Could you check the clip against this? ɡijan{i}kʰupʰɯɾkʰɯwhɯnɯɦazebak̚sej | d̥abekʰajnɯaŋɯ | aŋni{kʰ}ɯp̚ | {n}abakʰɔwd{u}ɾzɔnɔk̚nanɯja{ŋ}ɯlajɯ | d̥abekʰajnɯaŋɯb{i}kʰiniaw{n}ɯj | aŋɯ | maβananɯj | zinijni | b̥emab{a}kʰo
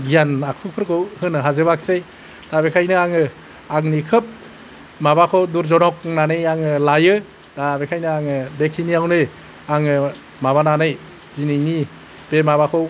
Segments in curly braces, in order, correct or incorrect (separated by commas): incorrect, correct, incorrect, correct, correct, incorrect, correct, correct